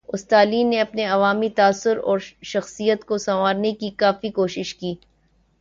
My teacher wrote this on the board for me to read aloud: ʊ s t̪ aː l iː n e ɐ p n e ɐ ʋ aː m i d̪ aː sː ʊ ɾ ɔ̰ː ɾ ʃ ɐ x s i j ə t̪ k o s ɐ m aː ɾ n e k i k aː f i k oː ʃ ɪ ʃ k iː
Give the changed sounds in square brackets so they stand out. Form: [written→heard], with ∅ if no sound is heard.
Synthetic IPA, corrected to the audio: ʊ s t̪ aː l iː n e ɐ p n e ɐ ʋ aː m i [d̪→t̪] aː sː ʊ ɾ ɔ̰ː ɾ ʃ ɐ x s i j ə t̪ k o s ɐ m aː ɾ n e k i k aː f i k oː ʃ ɪ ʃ k iː